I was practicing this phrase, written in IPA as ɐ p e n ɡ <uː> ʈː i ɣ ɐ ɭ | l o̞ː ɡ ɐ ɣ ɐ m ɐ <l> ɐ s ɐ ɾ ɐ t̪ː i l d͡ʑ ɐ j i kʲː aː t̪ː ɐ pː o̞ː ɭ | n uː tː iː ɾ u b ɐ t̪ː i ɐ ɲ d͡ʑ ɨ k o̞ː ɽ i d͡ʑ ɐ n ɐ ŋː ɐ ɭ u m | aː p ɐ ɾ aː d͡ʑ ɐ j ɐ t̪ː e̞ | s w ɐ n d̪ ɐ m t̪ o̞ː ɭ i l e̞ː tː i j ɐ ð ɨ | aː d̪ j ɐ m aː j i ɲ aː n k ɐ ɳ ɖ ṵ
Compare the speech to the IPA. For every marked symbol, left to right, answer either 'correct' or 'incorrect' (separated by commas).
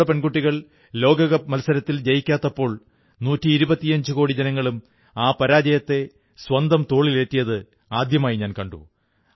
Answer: incorrect, correct